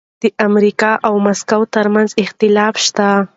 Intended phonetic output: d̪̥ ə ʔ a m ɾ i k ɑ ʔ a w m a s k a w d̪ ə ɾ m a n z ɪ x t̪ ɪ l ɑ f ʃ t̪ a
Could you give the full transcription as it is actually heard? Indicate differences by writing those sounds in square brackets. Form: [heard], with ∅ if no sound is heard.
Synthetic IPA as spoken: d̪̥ ə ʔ a m ɾ i k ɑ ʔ a w m a s k a w [t̪] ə ɾ m a n z ɪ x t̪ ɪ l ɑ f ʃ t̪ a

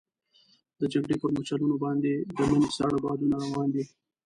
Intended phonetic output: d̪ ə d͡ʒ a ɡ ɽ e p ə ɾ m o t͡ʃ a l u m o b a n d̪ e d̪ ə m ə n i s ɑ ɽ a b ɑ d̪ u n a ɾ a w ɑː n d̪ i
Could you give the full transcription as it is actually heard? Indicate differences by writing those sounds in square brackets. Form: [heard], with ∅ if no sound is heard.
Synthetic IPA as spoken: d̪ ə d͡ʒ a ɡ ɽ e p ə ɾ m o t͡ʃ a l u [n] o b [ɑ] n d̪ e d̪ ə m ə n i s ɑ ɽ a b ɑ d̪ u n a ɾ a w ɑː n d̪ i

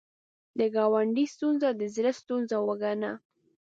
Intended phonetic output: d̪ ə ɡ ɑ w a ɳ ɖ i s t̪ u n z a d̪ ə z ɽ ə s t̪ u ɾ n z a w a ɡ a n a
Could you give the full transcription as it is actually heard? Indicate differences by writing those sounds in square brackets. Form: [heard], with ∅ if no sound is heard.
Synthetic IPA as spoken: d̪ ə ɡ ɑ w a ɳ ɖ i s t̪ u n z a d̪ ə z [ɾ] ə s t̪ u [∅] n z a w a ɡ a n a

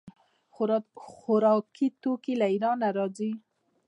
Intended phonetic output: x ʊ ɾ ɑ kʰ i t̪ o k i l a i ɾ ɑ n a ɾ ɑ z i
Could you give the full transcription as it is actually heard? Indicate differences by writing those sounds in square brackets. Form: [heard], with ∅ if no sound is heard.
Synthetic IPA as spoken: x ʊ ɾ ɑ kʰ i t̪ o k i l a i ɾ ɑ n a ɾ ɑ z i

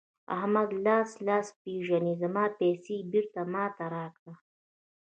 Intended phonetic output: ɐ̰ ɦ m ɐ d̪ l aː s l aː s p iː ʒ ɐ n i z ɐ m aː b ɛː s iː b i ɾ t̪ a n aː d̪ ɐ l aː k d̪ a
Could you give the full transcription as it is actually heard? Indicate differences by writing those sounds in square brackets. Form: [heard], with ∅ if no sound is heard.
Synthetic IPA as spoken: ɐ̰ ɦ m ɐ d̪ l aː s l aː s p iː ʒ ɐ n i z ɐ m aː [p] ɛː s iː b i ɾ t̪ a [m] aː [t̪] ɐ [ɾ] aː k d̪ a

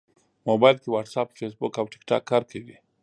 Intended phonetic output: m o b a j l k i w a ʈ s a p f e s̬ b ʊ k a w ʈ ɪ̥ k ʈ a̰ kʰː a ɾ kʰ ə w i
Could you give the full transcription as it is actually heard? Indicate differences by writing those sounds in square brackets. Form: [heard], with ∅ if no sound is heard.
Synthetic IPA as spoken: m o b a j l k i w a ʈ s a p f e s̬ b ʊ k a w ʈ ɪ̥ k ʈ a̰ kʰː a ɾ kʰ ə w i

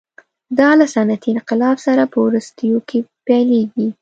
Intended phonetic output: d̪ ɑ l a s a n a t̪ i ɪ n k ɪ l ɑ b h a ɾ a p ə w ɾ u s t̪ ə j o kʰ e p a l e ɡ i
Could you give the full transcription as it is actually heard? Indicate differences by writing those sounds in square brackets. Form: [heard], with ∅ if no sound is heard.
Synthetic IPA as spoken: d̪ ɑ l a s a n a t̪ i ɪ n [q] ɪ l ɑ b [s] a ɾ a p ə w ɾ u s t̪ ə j o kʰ e p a l e ɡ i

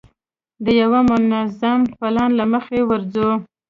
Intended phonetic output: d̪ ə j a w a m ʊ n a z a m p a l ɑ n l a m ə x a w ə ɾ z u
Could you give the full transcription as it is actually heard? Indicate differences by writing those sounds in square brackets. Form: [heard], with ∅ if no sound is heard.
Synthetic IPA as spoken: d̪ ə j a w a m ʊ n a z a m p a l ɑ n l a m ə x [e] w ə ɾ z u

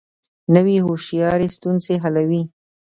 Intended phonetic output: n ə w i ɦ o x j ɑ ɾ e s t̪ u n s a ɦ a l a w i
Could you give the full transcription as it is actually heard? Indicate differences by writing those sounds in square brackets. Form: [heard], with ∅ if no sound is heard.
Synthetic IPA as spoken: n ə w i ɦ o [ʃ] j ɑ ɾ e s t̪ u n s [e] ɦ a l a w i

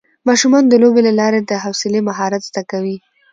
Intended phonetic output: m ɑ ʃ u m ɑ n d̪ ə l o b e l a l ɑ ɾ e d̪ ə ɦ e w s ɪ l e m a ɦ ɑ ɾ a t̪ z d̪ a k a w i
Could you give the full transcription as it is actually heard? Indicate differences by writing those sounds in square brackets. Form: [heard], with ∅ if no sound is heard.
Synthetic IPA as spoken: m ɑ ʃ u m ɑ n d̪ ə l o b e l a l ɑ ɾ e d̪ ə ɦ [a] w s ɪ l e m a ɦ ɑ ɾ a t̪ z d̪ a k a w i

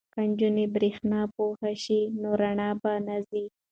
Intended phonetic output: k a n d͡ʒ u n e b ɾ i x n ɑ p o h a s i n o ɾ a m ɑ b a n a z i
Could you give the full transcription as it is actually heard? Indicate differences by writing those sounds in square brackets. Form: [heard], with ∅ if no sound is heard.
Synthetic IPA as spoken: k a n d͡ʒ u n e b ɾ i x n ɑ p o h a [ʃ] i n o ɾ a [ɳ] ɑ b a n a z i

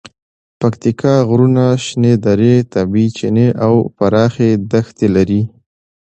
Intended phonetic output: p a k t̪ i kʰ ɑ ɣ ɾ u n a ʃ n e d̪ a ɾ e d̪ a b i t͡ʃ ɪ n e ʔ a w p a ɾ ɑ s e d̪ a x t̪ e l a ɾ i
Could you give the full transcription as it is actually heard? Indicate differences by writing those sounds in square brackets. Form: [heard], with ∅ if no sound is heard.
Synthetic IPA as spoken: p a k t̪ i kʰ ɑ ɣ ɾ u n a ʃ n e d̪ a ɾ e [t̪] a b i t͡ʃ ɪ n e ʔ a w p a ɾ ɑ [x] e d̪ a x t̪ e l a ɾ i

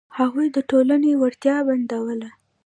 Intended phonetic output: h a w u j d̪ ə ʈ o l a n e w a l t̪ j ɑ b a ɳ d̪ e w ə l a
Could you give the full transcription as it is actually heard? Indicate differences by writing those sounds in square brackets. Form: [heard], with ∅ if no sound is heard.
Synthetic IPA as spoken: h a [ɣ] u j d̪ ə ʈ o l a n e w a [ɾ] t̪ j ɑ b a [n] d̪ [a] w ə l a

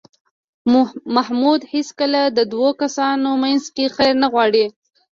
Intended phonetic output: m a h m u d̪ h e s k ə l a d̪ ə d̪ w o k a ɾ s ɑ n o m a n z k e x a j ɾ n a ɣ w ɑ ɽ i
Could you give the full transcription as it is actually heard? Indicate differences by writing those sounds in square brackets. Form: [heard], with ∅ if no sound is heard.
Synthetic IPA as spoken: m a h m u d̪ h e s k ə l a d̪ ə d̪ w o k a [∅] s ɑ n o m a n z k e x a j ɾ n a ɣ w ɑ ɽ i

